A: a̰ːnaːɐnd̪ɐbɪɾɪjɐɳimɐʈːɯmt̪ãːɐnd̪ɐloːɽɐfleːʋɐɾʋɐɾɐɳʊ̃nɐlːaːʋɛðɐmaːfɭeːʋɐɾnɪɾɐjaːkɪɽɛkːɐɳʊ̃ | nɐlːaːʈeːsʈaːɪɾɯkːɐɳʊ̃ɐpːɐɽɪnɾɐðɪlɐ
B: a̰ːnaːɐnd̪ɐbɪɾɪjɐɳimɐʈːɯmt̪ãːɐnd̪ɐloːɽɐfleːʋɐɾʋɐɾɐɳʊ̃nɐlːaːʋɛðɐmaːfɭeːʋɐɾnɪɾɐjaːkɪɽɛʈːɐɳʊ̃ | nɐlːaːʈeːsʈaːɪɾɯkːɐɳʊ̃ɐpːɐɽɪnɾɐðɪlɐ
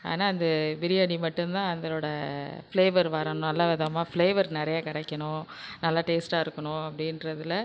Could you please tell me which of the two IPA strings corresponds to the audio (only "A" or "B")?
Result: A